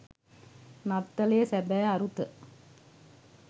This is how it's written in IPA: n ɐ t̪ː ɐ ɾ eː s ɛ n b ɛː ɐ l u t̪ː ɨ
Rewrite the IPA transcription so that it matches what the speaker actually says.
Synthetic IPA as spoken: n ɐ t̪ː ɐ l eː s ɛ b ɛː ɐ ɾ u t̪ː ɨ